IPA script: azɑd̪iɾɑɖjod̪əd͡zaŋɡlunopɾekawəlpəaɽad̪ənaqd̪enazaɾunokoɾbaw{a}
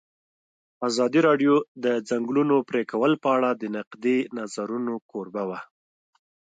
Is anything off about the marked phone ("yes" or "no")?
no